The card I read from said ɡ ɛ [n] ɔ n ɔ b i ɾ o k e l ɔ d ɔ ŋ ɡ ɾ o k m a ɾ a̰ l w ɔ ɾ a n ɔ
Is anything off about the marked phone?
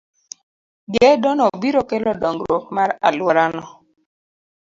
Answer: yes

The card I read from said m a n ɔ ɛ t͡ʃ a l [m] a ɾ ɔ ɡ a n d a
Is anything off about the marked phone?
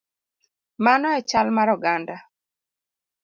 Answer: no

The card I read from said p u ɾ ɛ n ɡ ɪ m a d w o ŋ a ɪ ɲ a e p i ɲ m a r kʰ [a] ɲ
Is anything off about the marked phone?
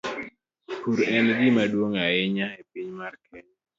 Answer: yes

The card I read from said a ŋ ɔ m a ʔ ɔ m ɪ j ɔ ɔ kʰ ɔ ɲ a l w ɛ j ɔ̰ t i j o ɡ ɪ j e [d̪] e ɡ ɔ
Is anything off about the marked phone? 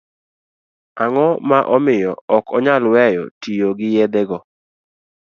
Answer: no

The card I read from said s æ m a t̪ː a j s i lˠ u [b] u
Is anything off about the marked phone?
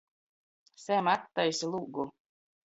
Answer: yes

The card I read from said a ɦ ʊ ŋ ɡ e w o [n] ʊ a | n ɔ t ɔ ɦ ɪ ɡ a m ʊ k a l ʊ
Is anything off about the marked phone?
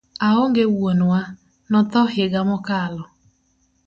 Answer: no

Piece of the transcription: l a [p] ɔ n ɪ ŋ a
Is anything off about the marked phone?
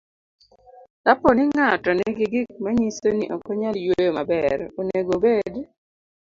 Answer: no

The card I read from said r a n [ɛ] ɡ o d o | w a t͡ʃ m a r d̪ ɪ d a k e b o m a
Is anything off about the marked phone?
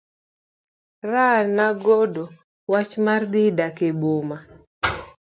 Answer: yes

